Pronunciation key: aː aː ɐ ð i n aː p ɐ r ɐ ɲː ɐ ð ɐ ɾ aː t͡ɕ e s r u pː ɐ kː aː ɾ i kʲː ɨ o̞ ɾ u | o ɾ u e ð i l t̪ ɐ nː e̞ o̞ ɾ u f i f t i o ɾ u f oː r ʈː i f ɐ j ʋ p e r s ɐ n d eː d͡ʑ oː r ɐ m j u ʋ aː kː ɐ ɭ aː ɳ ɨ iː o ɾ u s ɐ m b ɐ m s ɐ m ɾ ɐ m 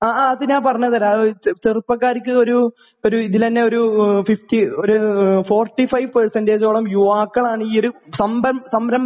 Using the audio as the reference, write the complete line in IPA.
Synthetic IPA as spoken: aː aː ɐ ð i n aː p ɐ r ɐ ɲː ɐ ð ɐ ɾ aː t͡ɕ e r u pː ɐ kː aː ɾ i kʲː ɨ o̞ ɾ u | o ɾ u i ð i l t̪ ɐ nː e̞ o̞ ɾ u f i f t i o ɾ u f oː r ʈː i f ɐ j ʋ p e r s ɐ n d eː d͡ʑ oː ɭ ɐ m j u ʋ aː kː ɐ ɭ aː ɳ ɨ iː o ɾ u s ɐ m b ɐ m s ɐ m ɾ ɐ m